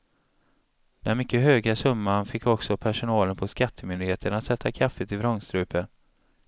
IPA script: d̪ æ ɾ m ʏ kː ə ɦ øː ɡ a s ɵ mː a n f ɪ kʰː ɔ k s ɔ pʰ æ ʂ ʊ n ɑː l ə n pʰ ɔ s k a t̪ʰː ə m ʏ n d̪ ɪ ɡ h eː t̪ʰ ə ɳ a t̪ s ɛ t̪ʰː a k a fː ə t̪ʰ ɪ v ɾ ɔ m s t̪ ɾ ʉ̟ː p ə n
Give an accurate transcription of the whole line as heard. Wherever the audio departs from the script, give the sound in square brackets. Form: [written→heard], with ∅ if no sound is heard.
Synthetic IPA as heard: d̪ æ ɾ m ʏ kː ə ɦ øː ɡ a s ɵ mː a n f ɪ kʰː ɔ k s ɔ pʰ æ ʂ ʊ n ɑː l ə n pʰ ɔ s k a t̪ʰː ə m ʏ n d̪ ɪ ɡ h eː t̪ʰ ə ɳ a t̪ s ɛ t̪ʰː a [k→kʰ] a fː ə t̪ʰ ɪ v ɾ ɔ [m→ŋ] s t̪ ɾ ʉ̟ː p ə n